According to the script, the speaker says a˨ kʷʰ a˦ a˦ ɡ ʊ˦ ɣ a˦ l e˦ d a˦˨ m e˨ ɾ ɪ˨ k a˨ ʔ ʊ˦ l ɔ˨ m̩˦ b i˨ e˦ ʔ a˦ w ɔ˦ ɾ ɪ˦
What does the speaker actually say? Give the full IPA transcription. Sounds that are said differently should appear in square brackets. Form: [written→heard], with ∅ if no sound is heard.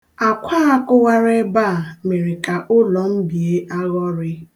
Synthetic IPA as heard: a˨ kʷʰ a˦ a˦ [ɡ→k] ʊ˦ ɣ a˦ [l→ɾ] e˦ [d→b] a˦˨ m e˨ ɾ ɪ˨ k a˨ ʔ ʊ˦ l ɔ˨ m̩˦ b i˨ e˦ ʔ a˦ [w→ɣ] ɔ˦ ɾ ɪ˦